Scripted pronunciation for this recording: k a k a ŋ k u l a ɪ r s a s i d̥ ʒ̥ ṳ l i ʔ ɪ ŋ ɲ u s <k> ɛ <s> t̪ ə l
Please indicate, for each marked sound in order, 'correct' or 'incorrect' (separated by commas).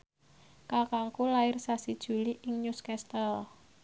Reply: correct, correct